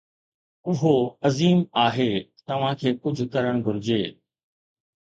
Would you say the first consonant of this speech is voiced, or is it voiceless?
voiced